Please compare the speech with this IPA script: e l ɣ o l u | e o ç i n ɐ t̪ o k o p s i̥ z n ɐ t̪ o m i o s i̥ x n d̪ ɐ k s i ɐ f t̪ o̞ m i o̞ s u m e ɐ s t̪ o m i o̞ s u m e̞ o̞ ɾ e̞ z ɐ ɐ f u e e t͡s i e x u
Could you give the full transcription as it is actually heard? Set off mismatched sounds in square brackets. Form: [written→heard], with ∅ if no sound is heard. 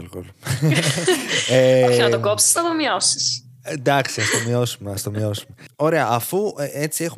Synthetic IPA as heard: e l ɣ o l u | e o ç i n ɐ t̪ o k o p s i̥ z n ɐ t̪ o m i o s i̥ [x→s] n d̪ ɐ k s i ɐ [f→s] t̪ o̞ m i o̞ s u m e ɐ s t̪ o m i o̞ s u m e̞ o̞ ɾ e̞ [z→∅] ɐ ɐ f u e e t͡s i e x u